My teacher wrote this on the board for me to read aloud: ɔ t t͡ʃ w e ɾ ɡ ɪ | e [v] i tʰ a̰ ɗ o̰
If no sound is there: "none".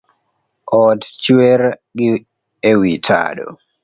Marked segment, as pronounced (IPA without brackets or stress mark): w